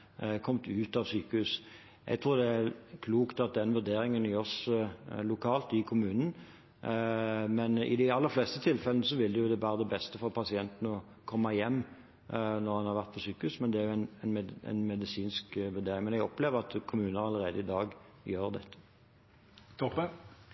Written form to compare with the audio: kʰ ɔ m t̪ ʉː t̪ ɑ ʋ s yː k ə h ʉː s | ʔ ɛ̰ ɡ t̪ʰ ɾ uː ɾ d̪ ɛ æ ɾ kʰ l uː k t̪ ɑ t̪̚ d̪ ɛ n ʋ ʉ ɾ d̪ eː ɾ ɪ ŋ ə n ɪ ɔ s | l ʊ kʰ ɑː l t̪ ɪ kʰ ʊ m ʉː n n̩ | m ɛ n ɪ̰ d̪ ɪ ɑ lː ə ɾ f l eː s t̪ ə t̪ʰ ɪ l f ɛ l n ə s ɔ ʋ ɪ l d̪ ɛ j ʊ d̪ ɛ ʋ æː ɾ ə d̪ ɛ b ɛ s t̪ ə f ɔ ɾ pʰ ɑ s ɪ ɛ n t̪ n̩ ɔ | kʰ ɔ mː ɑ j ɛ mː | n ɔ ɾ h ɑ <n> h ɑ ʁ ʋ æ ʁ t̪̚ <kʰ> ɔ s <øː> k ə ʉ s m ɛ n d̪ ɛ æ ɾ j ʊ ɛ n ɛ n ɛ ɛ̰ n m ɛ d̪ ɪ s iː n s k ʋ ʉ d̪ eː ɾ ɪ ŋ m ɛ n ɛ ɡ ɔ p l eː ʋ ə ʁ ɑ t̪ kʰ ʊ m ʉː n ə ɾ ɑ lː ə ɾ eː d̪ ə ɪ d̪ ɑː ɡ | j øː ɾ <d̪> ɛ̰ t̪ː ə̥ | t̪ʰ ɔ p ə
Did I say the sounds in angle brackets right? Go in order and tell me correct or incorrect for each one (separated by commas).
correct, incorrect, incorrect, correct